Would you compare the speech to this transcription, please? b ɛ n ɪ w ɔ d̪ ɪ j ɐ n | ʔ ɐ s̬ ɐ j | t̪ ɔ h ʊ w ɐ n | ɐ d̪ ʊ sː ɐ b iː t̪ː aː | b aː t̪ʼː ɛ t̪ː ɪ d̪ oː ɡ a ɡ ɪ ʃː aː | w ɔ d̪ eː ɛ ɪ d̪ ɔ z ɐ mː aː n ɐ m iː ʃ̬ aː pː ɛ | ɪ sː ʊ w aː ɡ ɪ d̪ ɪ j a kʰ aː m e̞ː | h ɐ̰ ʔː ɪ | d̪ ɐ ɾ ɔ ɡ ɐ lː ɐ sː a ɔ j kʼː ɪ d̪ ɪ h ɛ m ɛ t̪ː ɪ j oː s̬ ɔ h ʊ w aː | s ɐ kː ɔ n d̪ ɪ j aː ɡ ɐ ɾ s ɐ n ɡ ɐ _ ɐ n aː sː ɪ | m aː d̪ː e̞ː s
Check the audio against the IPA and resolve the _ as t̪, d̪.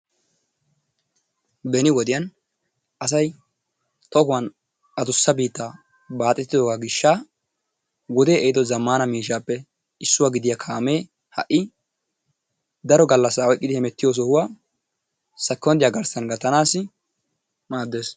t̪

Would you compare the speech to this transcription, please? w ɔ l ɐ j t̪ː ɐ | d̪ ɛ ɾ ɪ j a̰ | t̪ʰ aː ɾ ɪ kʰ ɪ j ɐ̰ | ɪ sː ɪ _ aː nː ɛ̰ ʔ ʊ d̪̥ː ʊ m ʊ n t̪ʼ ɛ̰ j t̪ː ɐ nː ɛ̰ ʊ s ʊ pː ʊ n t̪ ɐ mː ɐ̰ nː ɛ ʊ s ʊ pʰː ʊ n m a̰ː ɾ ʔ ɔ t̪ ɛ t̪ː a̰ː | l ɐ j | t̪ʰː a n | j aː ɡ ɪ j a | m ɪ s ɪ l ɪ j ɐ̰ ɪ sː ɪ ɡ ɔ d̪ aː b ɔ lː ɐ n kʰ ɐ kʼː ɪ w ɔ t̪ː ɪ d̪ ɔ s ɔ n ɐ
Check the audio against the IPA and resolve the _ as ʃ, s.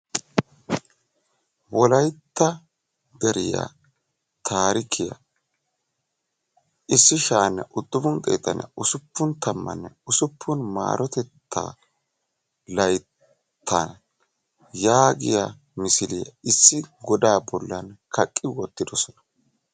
ʃ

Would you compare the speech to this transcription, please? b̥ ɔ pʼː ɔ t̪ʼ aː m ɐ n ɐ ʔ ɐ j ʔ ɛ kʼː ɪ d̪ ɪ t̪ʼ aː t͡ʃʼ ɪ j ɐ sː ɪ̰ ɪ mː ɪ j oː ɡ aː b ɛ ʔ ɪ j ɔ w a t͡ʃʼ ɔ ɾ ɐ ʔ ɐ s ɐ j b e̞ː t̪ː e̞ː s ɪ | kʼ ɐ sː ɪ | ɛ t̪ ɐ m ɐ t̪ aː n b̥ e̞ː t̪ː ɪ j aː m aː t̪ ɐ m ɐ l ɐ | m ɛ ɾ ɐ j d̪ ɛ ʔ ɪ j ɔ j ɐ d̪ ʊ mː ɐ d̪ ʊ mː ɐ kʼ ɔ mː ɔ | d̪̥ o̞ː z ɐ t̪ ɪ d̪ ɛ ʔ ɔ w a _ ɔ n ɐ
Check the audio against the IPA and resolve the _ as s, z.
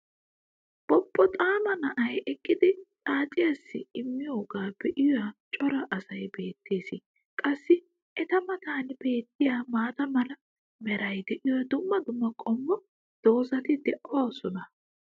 s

